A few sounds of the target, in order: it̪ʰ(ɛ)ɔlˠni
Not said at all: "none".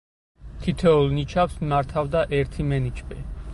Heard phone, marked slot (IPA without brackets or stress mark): ɛ